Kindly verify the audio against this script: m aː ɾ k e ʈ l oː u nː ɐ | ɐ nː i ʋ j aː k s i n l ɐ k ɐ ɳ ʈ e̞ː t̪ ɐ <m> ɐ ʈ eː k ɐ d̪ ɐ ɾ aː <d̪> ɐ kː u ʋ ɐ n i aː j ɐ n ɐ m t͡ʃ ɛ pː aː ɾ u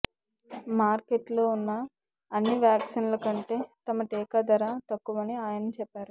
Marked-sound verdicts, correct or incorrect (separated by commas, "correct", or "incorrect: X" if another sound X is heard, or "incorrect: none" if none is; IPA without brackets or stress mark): correct, incorrect: t̪